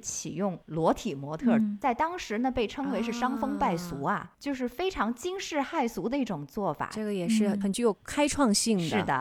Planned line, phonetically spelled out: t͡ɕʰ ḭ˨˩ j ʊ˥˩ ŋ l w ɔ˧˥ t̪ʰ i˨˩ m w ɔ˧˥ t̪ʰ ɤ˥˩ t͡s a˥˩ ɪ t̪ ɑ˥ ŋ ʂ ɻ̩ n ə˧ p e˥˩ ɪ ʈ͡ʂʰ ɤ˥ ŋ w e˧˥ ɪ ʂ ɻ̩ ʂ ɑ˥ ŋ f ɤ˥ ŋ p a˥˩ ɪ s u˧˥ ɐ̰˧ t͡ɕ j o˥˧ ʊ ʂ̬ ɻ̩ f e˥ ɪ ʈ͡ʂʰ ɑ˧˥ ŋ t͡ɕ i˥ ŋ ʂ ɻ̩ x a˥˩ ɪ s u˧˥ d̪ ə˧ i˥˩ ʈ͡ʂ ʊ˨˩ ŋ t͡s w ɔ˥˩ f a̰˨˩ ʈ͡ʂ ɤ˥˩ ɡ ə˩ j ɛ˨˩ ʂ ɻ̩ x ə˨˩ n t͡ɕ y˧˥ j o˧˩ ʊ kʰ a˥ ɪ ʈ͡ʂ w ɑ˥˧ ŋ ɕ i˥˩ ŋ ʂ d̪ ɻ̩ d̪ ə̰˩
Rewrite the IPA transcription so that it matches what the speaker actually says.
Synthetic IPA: t͡ɕʰ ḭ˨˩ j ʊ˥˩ ŋ l w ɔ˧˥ t̪ʰ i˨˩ m w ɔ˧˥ t̪ʰ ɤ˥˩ t͡s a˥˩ ɪ t̪ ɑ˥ ŋ ʂ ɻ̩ n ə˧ p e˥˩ ɪ ʈ͡ʂʰ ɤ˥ ŋ w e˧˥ ɪ ʂ ɻ̩ ʂ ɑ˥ ŋ f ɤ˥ ŋ p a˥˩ ɪ s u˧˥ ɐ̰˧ t͡ɕ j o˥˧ ʊ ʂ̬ ɻ̩ f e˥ ɪ ʈ͡ʂʰ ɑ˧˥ ŋ t͡ɕ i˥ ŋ ʂ ɻ̩ x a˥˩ ɪ s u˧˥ d̪ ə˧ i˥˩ ʈ͡ʂ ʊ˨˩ ŋ t͡s w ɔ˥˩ f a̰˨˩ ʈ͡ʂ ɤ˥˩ ɡ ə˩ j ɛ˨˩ ʂ ɻ̩ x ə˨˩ n t͡ɕ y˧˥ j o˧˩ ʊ kʰ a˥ ɪ ʈ͡ʂʰ w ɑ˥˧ ŋ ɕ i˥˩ ŋ ʂ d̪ ɻ̩ d̪ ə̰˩